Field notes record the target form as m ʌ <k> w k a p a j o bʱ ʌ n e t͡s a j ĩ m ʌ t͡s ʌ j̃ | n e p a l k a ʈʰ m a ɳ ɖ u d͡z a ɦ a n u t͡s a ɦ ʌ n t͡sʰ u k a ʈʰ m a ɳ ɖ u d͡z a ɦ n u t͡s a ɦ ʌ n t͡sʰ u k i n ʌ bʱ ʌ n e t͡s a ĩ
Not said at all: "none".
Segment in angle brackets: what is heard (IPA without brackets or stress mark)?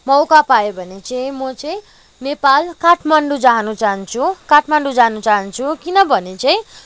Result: none